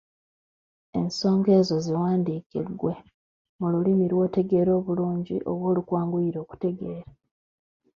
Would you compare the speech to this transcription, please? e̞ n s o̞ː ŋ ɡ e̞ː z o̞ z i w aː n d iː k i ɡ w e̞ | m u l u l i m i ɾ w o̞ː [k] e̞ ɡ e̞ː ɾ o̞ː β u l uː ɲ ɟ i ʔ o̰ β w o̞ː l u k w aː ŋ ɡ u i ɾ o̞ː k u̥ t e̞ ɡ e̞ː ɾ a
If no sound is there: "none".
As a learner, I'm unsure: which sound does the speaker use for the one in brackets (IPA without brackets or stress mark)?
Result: t